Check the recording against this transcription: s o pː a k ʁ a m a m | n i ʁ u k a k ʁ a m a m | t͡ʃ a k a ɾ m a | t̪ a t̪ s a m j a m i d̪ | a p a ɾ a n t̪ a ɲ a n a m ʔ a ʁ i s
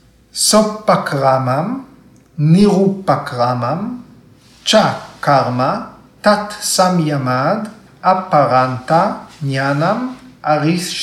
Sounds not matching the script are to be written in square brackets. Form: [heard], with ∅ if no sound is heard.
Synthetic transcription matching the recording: s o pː a k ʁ a m a m | n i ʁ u [p] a k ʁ a m a m | t͡ʃ a k a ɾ m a | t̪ a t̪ s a m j a m [a] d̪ | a p a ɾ a n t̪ a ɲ a n a m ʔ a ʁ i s